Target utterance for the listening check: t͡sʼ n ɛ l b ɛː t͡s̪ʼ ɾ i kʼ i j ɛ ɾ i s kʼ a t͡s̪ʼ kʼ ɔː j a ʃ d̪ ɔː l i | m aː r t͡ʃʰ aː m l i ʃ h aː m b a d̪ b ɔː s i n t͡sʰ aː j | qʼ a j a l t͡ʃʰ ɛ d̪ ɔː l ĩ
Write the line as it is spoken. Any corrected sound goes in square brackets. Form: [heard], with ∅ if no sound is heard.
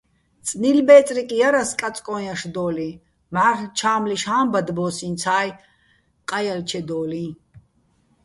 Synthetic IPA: t͡sʼ n [i] l b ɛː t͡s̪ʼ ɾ i kʼ i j [a] ɾ [a] s kʼ a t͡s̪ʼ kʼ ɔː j a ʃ d̪ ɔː l i | m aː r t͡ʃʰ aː m l i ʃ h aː m b a d̪ b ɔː s i n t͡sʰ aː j | qʼ a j a l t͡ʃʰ ɛ d̪ ɔː l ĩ